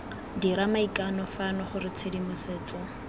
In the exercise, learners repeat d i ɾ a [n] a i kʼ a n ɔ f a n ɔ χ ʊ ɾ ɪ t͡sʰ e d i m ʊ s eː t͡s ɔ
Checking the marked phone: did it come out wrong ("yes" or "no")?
yes